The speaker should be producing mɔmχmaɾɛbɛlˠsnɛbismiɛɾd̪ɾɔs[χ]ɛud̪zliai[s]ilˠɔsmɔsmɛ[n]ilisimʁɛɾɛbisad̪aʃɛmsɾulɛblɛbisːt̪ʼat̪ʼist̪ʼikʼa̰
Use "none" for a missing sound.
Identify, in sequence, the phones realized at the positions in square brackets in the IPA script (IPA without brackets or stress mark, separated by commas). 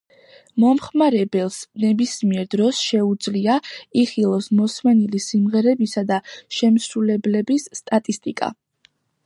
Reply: ʃ, χ, n